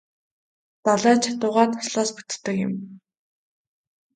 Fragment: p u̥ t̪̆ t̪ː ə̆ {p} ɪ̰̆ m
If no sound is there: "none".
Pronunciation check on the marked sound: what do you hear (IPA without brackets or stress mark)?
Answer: k